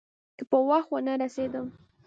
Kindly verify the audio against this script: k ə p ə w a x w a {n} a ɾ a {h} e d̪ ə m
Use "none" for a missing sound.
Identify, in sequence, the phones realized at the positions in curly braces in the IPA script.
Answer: n, s

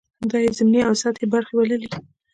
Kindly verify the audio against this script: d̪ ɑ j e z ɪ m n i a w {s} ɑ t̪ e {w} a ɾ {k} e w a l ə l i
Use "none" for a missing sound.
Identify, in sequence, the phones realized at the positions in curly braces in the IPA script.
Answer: s, b, x

